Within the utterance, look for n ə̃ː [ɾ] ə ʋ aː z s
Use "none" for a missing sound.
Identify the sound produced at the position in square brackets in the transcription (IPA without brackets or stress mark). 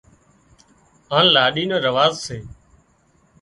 ɾ